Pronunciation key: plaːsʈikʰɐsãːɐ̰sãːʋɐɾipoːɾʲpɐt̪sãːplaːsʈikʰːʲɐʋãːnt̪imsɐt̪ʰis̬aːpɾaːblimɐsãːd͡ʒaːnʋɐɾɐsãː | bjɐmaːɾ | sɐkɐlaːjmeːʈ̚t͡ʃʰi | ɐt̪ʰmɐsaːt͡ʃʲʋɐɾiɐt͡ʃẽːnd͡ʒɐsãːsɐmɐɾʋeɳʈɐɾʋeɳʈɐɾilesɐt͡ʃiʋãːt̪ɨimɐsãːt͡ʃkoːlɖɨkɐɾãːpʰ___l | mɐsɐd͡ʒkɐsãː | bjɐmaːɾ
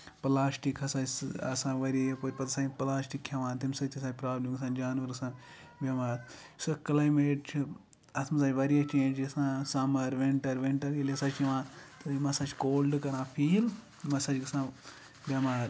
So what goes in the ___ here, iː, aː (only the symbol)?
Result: iː